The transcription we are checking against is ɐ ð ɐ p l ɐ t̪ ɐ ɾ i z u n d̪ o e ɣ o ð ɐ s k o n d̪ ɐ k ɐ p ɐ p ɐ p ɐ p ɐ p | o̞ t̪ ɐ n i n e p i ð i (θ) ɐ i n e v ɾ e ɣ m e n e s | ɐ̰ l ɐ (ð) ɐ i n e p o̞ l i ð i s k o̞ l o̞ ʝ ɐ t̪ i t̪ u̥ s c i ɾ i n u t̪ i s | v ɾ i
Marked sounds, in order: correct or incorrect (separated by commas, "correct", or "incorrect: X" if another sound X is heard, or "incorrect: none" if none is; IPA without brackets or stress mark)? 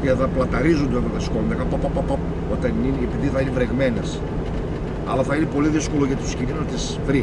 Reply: correct, incorrect: θ